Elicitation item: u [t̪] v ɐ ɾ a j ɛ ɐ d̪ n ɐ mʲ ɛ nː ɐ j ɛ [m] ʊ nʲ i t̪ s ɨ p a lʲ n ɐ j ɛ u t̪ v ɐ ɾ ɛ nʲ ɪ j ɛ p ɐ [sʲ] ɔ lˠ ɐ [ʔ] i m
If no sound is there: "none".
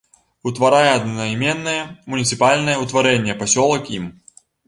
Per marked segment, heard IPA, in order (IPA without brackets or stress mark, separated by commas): t̪, m, sʲ, k